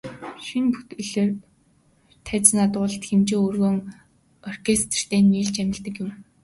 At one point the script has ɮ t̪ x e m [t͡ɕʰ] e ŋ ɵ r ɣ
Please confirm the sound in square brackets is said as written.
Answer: no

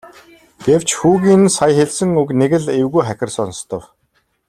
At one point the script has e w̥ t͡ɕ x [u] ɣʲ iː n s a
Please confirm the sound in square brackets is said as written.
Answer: no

